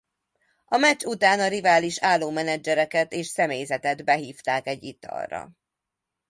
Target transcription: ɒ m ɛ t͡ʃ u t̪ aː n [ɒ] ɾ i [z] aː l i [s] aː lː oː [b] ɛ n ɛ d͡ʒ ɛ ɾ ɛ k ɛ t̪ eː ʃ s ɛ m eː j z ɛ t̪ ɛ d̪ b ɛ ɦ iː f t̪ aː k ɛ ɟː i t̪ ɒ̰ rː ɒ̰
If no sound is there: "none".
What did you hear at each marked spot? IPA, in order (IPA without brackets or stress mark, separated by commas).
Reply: ɒ, v, ʃ, m